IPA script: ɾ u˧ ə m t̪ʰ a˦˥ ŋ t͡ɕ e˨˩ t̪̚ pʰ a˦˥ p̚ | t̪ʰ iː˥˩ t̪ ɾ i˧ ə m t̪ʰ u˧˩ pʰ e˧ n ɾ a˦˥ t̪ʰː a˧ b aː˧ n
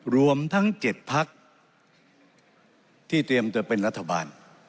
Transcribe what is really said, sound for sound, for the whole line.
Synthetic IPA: ɾ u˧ ə m t̪ʰ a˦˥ ŋ t͡ɕ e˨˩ t̪̚ pʰ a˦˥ k̚ | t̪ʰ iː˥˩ t̪ ɾ i˧ ə m t̪ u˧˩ p e˧ n ɾ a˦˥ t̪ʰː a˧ b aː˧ n